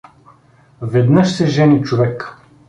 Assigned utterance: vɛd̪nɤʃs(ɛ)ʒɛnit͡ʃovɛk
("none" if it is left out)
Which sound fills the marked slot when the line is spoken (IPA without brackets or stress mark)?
ɛ